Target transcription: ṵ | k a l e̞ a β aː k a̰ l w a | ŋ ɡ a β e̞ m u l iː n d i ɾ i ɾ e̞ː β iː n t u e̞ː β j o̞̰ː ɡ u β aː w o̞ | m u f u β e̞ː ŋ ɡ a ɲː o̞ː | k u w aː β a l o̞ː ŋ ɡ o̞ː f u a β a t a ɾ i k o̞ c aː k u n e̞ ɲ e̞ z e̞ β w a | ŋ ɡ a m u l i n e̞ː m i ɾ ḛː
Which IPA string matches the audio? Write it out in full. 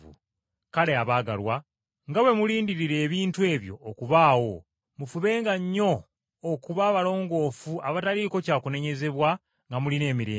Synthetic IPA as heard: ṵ | k a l e̞ a β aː ɡ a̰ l w a | ŋ ɡ a w e̞ m u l iː n d i ɾ i ɾ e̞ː β iː n t u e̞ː β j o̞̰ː k u β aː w o̞ | m u f u β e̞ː ŋ ɡ a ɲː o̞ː | k u β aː β a l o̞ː ŋ ɡ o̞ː f u a β a t a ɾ i k o̞ c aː k u n e̞ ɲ e̞ z e̞ β w a | ŋ ɡ a m u l i n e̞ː m i ɾ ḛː